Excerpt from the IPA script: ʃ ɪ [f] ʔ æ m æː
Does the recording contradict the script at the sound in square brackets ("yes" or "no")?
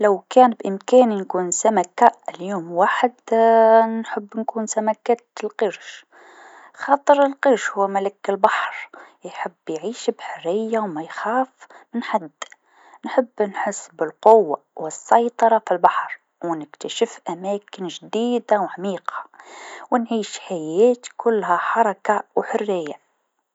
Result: no